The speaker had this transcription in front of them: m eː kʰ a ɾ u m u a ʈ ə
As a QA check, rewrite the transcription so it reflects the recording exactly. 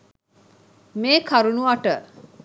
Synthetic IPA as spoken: m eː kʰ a ɾ u n u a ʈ ə